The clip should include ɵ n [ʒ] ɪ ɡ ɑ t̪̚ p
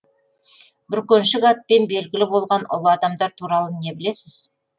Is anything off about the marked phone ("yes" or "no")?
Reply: yes